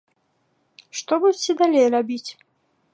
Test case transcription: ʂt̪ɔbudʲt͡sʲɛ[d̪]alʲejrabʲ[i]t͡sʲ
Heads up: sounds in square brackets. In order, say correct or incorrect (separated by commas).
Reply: correct, correct